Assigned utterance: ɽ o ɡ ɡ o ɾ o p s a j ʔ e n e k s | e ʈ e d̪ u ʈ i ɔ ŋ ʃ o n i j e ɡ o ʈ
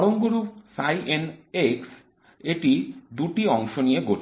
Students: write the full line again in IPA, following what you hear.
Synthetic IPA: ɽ o ŋ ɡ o ɾ u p s a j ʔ e n e k s | e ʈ i d̪ u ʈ i ɔ ŋ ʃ o n i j e ɡ o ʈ